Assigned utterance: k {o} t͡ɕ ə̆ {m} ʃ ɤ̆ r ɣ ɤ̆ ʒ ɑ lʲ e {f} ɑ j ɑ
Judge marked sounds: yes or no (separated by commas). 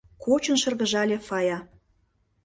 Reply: yes, no, yes